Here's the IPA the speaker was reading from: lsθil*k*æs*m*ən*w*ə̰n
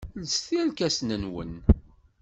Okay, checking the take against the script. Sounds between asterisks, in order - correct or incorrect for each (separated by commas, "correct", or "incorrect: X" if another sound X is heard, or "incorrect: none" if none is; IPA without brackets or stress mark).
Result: correct, incorrect: n, correct